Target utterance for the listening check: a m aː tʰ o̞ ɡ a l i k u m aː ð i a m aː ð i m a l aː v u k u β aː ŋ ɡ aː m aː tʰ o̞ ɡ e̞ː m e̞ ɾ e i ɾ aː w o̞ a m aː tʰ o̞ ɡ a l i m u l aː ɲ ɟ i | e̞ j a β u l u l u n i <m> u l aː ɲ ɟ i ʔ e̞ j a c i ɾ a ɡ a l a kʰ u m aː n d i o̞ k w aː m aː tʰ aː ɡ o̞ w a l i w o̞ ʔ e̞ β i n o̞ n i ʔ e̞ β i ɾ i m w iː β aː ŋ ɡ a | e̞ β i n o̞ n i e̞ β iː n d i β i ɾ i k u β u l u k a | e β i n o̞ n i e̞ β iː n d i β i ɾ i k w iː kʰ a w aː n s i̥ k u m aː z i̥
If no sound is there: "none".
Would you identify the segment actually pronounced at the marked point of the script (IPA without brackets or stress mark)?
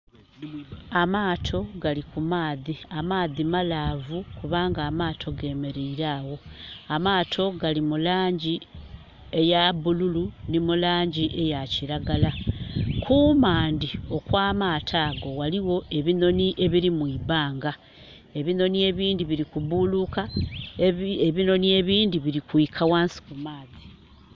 m